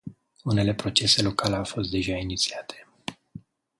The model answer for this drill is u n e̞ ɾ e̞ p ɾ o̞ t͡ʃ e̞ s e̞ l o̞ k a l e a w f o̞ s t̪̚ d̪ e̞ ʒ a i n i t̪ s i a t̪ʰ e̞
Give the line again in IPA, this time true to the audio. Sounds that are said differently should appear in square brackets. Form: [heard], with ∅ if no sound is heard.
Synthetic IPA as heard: u n e̞ [l] e̞ p ɾ o̞ t͡ʃ e̞ s e̞ l o̞ k a l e a w f o̞ s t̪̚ d̪ e̞ ʒ a i n i t̪ s i a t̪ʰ e̞

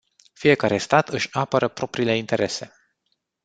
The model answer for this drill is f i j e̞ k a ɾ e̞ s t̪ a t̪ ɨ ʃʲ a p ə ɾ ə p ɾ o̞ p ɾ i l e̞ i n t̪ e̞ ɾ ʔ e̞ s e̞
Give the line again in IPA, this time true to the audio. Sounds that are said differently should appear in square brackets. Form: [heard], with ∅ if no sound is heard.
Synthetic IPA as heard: f i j e̞ k a ɾ e̞ s t̪ a t̪ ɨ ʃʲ a p ə ɾ ə p ɾ o̞ p ɾ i l e̞ i n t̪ e̞ ɾ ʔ e̞ s e̞

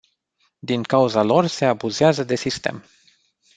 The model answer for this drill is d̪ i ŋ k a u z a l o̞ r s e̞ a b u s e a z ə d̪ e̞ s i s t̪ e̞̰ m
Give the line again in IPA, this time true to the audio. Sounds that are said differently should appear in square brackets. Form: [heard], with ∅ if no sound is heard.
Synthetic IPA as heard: d̪ i ŋ k a u z a l o̞ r s e̞ a b u [z] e a z ə d̪ e̞ s i s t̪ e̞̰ m

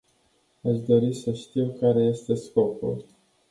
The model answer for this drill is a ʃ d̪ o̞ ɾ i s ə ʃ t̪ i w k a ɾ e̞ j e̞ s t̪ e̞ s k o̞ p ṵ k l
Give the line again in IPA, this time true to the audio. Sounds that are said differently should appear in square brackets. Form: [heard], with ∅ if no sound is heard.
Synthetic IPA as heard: a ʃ d̪ o̞ ɾ i s ə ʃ t̪ i w k a ɾ e̞ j e̞ s t̪ e̞ s k o̞ p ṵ [∅] l

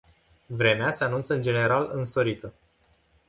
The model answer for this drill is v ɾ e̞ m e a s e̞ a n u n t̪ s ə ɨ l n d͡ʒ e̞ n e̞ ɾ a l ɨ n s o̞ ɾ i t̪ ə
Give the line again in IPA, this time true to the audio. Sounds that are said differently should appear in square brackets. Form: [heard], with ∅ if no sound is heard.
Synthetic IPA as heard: v ɾ e̞ m e a s e̞ a n u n t̪ s ə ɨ [∅] n d͡ʒ e̞ n e̞ ɾ a l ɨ n s o̞ ɾ i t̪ ə

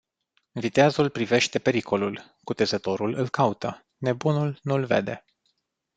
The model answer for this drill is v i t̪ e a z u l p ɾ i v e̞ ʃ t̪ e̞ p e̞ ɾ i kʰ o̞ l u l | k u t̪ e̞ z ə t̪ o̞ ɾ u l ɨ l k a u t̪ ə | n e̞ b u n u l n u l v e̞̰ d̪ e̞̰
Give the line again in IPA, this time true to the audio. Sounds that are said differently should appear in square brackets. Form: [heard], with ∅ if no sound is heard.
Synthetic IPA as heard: v i t̪ e a z u l p ɾ i v e̞ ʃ t̪ e̞ p e̞ ɾ i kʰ o̞ l u l | k u t̪ e̞ z ə t̪ o̞ ɾ u l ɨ l k a u t̪ ə | n e̞ b u n u l n u l v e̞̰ d̪ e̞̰

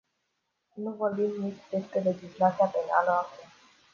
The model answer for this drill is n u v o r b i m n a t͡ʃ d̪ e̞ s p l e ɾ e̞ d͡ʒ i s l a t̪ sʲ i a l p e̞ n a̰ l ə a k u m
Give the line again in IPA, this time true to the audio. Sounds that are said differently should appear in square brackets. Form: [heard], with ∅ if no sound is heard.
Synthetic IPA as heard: n u v o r b i m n [i] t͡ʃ d̪ e̞ s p [ɾ] e [l] e̞ d͡ʒ i s l a t̪ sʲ i a [∅] p e̞ n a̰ l ə a k u m

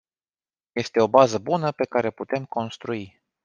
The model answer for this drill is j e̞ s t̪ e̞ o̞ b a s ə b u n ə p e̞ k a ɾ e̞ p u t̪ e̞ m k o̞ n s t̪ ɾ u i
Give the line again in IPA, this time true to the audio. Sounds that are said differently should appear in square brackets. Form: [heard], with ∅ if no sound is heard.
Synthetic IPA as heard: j e̞ s t̪ e̞ o̞ b a [z] ə b u n ə p e̞ k a ɾ e̞ p u t̪ e̞ m k o̞ n s t̪ ɾ u i

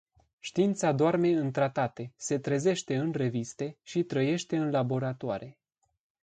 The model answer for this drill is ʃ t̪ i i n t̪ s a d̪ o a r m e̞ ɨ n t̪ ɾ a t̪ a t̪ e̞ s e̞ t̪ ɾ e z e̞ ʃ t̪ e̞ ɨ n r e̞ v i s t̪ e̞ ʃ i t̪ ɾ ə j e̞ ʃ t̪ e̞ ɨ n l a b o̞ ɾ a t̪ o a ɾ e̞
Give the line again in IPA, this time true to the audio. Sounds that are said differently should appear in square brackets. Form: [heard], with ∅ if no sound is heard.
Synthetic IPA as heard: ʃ t̪ i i n t̪ s a d̪ o a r m e̞ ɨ n t̪ ɾ a t̪ a t̪ e̞ s e̞ t̪ ɾ e z e̞ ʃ t̪ e̞ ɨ n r e̞ v i s t̪ e̞ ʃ i t̪ ɾ ə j e̞ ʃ t̪ e̞ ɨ n l a b o̞ ɾ a t̪ o a ɾ e̞

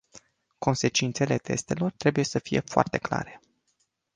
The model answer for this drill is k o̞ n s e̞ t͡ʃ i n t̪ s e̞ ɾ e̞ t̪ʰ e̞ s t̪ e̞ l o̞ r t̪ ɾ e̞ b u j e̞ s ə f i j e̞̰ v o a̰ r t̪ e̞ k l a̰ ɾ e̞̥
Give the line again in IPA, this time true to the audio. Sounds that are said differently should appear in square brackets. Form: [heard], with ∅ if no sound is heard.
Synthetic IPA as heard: k o̞ n s e̞ t͡ʃ i n t̪ s e̞ [l] e̞ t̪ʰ e̞ s t̪ e̞ l o̞ r t̪ ɾ e̞ b u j e̞ s ə f i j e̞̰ [f] o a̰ r t̪ e̞ k l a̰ ɾ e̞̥

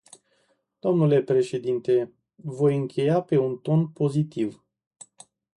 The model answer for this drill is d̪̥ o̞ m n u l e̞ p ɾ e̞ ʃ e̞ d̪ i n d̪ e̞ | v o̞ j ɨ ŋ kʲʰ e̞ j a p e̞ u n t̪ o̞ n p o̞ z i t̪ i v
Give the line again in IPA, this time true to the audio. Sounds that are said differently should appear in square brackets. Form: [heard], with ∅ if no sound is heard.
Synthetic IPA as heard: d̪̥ o̞ m n u l e̞ p ɾ e̞ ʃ e̞ d̪ i n [t̪] e̞ | v o̞ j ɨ ŋ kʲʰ e̞ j a p e̞ u n t̪ o̞ n p o̞ z i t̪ i v

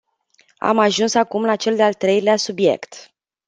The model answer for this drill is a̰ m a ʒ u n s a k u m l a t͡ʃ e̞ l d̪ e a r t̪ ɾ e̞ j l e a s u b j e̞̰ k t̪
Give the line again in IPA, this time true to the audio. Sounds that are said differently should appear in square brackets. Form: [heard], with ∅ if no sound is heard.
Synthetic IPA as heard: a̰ m a ʒ u n s a k u m l a t͡ʃ e̞ l d̪ e a [l] t̪ ɾ e̞ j l e a s u b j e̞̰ k t̪

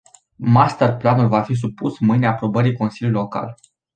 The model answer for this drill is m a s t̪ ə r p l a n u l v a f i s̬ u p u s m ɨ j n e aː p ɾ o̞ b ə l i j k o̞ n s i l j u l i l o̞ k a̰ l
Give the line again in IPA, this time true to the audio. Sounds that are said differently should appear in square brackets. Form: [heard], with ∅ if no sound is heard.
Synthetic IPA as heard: m a s t̪ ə r p l a n u l v a f i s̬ u p u s m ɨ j n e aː p ɾ o̞ b ə [ɾ] i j k o̞ n s i l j u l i l o̞ k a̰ l

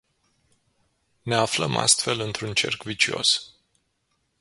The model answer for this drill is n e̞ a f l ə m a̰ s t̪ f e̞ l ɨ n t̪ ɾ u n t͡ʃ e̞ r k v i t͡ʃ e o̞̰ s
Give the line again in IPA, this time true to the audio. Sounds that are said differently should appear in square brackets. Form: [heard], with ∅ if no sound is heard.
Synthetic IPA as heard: n e̞ a f l ə m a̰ s t̪ f e̞ l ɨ n t̪ ɾ u n t͡ʃ e̞ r k v i t͡ʃ [i] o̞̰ s

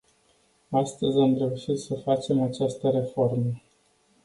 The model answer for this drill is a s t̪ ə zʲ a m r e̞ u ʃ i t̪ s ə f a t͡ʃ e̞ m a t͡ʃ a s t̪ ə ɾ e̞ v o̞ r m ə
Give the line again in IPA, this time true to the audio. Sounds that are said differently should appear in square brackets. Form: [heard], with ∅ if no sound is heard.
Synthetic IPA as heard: a s t̪ ə zʲ a m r e̞ u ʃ i t̪ s ə f a t͡ʃ e̞ m a t͡ʃ a s t̪ ə ɾ e̞ [f] o̞ r m ə

